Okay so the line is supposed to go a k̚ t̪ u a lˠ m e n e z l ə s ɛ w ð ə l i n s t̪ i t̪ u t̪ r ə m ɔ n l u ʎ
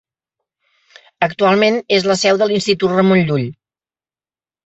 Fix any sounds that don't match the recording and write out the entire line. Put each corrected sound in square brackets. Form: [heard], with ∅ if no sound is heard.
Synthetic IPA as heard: [ə] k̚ t̪ u a lˠ m e n e z l ə s ɛ w ð ə l i n s t̪ i t̪ u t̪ r ə m [o] n [ʎ] u ʎ